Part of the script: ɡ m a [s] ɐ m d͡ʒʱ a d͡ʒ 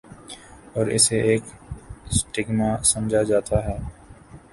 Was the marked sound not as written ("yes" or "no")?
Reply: no